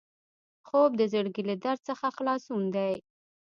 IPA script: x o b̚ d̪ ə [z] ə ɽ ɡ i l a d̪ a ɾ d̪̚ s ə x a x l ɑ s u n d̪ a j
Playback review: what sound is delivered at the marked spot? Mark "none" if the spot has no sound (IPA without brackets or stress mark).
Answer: z